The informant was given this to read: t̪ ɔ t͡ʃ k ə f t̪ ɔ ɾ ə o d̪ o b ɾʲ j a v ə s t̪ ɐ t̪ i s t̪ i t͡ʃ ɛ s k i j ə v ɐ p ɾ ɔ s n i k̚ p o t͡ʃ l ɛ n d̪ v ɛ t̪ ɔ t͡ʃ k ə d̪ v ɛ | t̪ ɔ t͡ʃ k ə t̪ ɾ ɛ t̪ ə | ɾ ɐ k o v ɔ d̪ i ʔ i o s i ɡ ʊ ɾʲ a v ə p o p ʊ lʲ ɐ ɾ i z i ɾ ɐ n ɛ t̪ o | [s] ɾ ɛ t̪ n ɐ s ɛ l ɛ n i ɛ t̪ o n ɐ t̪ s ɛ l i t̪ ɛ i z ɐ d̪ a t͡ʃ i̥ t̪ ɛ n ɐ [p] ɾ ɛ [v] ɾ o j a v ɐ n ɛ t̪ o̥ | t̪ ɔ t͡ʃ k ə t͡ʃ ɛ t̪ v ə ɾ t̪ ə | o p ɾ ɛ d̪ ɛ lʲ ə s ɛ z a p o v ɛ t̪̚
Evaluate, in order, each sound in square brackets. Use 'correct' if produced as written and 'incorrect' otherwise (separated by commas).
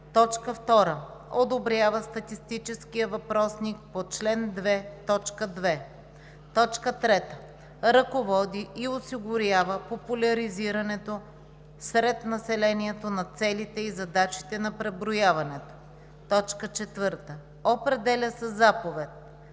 correct, correct, incorrect